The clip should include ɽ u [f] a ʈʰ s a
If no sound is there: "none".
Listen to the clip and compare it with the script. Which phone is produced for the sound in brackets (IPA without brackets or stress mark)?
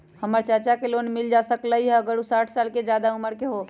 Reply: s